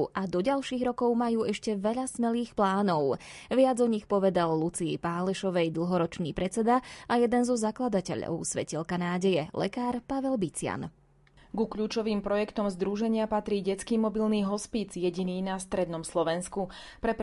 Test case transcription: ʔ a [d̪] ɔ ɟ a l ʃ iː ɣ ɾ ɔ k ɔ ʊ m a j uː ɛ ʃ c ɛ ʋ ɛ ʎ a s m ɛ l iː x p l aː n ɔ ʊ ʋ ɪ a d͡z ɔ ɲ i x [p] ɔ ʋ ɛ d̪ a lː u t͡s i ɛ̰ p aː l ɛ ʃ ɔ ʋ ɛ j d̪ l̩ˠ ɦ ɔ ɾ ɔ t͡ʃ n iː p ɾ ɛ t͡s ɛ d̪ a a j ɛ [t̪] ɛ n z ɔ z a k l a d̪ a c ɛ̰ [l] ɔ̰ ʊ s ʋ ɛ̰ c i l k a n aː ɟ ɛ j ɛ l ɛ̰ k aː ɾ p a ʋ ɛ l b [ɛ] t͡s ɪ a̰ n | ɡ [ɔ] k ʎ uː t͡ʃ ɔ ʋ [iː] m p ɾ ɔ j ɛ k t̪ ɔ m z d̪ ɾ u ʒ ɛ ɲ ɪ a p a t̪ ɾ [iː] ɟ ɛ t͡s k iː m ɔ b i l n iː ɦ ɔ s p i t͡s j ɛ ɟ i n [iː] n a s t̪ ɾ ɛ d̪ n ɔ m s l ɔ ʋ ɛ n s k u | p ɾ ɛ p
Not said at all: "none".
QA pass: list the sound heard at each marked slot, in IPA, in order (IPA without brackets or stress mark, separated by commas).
d̪, p, d̪, ʎ, i, u, iː, iː, iː